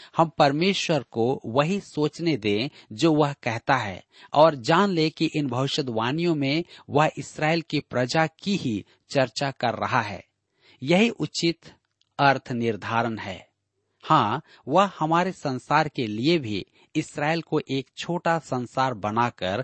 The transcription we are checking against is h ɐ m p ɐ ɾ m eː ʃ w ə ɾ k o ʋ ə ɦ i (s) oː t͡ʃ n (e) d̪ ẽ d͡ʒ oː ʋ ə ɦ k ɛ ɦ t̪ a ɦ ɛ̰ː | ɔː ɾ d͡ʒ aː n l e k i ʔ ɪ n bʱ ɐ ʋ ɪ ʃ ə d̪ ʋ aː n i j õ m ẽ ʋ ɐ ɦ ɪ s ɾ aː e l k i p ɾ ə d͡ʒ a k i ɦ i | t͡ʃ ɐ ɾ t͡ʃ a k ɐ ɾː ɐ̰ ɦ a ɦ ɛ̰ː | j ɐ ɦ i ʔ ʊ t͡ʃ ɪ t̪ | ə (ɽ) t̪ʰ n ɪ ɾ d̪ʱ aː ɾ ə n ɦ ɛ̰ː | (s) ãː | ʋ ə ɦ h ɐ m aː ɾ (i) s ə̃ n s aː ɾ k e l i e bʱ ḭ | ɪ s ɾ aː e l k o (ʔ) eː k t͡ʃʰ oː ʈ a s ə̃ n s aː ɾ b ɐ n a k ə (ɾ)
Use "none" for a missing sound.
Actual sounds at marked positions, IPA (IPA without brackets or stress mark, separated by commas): s, e, ɾ, h, e, ʔ, ɾ